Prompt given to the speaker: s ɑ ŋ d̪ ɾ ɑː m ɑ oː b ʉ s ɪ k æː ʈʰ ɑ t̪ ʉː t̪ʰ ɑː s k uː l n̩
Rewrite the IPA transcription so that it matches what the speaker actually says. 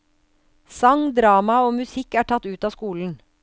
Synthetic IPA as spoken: s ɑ ŋ d̪ ɾ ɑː m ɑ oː m ʉ s ɪ k æː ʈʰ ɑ t̪ ʉː t̪ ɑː s k uː l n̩